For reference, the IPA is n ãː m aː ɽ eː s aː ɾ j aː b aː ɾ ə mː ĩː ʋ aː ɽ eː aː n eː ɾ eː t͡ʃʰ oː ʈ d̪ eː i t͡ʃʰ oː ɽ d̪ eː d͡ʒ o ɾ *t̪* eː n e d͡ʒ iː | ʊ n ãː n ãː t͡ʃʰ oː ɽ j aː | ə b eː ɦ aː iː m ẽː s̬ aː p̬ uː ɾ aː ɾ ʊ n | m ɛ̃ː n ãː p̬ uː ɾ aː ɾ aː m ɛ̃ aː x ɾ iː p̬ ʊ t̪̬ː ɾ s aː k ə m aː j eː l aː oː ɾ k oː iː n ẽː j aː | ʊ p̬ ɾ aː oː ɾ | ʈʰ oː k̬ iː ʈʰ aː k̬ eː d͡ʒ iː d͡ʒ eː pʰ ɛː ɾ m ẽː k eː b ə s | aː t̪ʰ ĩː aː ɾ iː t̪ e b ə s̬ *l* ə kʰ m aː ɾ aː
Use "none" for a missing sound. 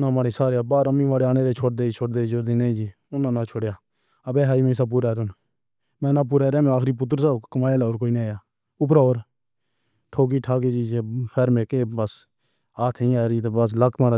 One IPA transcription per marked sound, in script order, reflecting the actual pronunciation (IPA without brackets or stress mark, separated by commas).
d̪, l